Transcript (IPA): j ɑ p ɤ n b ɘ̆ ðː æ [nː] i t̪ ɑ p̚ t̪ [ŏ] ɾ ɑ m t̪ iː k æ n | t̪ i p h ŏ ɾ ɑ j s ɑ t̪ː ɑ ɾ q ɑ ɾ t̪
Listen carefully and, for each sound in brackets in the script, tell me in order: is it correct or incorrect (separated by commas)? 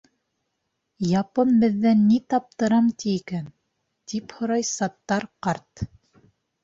correct, incorrect